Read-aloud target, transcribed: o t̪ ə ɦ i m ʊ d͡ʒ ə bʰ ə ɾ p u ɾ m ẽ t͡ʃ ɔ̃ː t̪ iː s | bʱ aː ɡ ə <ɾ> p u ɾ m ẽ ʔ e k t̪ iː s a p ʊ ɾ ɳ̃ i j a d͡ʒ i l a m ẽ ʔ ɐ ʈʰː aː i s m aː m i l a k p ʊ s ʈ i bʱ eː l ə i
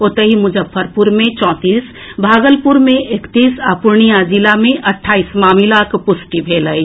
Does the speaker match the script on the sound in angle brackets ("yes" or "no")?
no